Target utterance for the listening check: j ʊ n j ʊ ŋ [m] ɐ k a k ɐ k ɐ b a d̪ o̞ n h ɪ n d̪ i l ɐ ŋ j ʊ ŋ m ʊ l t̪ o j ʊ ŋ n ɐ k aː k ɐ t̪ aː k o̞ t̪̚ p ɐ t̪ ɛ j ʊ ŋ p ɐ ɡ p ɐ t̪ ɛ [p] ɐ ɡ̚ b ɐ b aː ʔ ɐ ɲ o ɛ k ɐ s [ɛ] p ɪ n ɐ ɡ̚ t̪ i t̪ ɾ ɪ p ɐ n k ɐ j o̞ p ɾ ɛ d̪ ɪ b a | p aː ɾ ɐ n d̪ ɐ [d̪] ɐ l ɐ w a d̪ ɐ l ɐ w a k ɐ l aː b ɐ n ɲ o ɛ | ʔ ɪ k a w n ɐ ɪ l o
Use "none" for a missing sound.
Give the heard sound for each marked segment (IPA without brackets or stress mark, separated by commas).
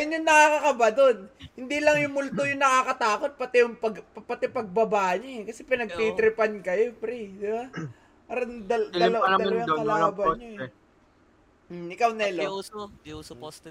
n, p, ɛ, d̪